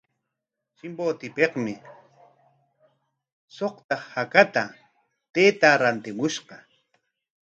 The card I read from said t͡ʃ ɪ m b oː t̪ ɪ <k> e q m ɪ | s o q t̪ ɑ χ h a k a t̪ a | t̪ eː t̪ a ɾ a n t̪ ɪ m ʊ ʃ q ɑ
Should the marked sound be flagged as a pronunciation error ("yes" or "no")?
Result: yes